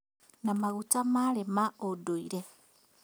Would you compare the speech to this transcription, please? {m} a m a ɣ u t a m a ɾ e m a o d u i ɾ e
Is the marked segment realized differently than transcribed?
yes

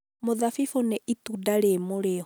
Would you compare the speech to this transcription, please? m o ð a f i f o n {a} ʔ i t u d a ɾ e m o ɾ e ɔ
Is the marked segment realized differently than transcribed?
yes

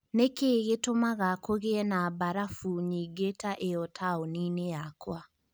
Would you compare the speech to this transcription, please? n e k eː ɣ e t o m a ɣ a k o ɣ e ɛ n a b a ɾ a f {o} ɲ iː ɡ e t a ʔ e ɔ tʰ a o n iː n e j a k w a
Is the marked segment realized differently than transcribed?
yes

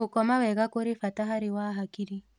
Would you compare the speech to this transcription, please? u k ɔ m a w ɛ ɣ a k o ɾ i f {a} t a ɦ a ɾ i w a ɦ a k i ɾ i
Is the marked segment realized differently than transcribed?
no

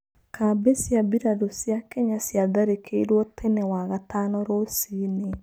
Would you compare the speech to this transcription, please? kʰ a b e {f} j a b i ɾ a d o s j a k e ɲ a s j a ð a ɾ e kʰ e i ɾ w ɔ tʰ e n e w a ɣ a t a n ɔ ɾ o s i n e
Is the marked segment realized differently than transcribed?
yes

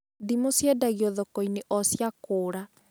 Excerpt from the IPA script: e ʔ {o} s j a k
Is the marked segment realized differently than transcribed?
yes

